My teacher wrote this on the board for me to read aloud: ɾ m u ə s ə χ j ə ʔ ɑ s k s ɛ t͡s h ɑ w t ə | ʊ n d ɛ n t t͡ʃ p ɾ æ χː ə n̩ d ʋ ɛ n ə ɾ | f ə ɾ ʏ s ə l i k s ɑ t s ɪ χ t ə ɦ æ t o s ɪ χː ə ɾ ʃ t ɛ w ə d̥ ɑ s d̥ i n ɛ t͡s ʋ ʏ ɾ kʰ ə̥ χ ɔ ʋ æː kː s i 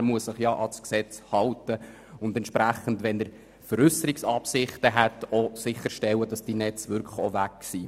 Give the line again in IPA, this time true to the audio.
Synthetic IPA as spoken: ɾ m u ə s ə χ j ɑ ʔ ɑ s k s ɛ t͡s h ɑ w t ə | ʊ n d ɛ n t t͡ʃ p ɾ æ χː ə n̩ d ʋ ɛ n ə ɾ | f ə ɾ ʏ s ə ɾ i k s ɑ p s ɪ χ t ə ɦ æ t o s ɪ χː ə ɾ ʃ t ɛ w ə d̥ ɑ s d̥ i n ɛ t͡s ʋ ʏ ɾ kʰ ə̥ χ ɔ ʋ æ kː s i